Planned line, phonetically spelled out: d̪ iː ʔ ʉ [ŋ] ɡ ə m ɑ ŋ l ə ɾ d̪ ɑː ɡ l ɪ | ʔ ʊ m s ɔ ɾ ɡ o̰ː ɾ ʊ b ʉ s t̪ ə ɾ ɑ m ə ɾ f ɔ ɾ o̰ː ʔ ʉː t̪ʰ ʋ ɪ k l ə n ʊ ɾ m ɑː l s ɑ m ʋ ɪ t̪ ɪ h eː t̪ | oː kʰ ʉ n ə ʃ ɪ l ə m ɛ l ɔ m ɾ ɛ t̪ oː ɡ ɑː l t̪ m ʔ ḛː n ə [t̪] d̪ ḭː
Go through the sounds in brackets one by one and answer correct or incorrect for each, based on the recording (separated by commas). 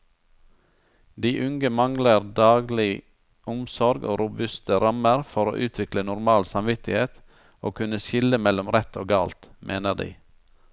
correct, incorrect